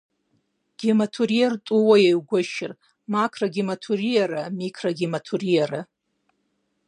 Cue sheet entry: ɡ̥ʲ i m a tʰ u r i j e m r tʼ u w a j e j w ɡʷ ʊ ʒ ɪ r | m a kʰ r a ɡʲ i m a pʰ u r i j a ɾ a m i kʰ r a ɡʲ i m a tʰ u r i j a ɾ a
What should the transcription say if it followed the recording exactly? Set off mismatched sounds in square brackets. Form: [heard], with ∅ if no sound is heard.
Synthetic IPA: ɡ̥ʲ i m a tʰ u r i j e [∅] r tʼ u w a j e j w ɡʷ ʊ [ʃ] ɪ r | m a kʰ r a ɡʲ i m a [tʰ] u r i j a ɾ a m i kʰ r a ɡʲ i m a tʰ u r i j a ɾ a